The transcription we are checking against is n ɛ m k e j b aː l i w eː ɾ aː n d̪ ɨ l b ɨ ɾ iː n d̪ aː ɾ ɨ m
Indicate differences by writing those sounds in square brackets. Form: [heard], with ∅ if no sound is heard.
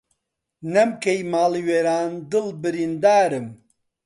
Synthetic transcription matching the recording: n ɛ m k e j [m] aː l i w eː ɾ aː n d̪ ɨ l b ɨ ɾ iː n d̪ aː ɾ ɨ m

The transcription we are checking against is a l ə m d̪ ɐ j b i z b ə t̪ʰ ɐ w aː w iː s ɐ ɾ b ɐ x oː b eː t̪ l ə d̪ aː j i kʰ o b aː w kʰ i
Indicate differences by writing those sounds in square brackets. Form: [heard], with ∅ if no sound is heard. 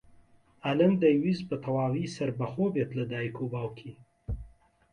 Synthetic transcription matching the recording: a l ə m d̪ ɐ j [w] i z b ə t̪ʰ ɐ w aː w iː s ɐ ɾ b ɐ x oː b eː t̪ l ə d̪ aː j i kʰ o b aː w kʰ i

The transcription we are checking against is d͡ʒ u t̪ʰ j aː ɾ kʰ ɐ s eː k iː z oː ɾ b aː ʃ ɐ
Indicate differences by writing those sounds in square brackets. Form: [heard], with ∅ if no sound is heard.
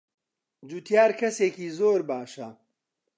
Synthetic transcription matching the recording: d͡ʒ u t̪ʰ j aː ɾ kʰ ɐ s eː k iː z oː ɾ b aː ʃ ɐ

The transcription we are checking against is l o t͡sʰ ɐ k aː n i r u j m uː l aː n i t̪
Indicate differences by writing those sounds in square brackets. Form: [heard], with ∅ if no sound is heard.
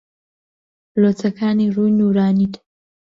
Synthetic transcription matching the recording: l o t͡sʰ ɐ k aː n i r u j [n] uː [ɾ] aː n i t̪

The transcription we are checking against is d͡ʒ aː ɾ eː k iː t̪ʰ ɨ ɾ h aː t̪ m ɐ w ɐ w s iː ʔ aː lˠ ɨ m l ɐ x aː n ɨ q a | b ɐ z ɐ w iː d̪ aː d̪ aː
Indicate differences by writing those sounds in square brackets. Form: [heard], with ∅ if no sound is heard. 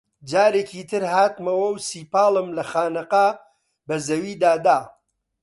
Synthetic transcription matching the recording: d͡ʒ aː ɾ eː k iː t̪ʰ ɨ ɾ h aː t̪ m ɐ w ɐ w s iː [p] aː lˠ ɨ m l ɐ x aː n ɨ q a | b ɐ z ɐ w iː d̪ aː d̪ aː

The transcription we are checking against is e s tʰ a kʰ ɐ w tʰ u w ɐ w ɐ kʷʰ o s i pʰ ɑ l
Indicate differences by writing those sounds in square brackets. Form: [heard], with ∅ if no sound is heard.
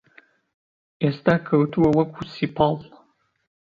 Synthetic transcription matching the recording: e s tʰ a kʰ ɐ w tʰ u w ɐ w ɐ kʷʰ [u] s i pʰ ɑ l

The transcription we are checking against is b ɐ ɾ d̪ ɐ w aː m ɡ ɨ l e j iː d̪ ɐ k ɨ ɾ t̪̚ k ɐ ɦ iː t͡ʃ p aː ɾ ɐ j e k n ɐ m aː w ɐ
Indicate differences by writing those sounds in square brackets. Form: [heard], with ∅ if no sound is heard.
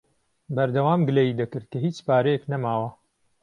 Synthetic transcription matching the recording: b ɐ ɾ d̪ ɐ w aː m ɡ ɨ l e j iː d̪ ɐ k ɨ ɾ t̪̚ k ɐ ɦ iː t͡ʃ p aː ɾ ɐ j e k n ɐ m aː w ɐ

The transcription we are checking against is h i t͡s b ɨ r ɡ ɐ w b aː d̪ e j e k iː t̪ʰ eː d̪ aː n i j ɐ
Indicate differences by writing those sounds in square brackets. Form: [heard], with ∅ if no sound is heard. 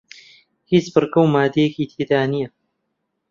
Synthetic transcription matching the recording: h i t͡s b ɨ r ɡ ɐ w [m] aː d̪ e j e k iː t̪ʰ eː d̪ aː n i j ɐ

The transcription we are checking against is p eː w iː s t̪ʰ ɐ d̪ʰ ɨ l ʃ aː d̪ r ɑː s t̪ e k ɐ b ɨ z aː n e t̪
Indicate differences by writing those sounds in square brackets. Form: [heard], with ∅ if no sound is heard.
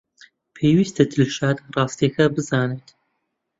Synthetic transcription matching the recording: [pʰ] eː w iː s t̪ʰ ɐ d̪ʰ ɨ l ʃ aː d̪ r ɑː s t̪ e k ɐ b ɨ z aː n e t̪

